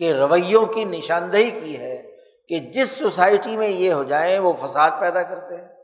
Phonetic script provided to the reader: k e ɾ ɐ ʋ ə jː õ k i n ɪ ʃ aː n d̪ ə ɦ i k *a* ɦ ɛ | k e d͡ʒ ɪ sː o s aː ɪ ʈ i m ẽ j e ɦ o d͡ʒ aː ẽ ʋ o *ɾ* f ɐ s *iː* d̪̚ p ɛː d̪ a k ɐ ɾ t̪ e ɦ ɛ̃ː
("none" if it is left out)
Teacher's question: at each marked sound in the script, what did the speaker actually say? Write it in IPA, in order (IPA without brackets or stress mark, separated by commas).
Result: i, none, aː